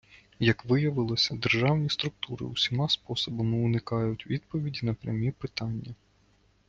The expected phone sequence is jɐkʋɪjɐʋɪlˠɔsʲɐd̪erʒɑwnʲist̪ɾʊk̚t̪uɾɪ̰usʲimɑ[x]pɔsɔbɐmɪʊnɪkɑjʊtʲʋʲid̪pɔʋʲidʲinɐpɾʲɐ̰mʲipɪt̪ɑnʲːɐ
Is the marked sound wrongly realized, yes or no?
yes